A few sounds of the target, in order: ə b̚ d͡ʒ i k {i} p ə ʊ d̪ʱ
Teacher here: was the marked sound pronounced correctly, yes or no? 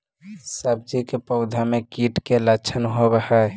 no